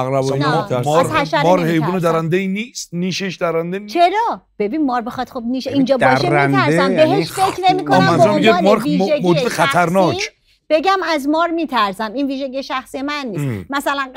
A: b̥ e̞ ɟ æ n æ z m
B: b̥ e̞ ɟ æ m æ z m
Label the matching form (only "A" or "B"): B